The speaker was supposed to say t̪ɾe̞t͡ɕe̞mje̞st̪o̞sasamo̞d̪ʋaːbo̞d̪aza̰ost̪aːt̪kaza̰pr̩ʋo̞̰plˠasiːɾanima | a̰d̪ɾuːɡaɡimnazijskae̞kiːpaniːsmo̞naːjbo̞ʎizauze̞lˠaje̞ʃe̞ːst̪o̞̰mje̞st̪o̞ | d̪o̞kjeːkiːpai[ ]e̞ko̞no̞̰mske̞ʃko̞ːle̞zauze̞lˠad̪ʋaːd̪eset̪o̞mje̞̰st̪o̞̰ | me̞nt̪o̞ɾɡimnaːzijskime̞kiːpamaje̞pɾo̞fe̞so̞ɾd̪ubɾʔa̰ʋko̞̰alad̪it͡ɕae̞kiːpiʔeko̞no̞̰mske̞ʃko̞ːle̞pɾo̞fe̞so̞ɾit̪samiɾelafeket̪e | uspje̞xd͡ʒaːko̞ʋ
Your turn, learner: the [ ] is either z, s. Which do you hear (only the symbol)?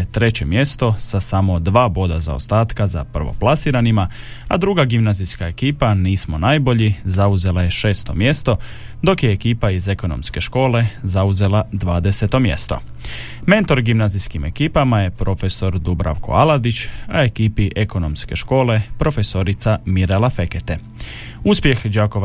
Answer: z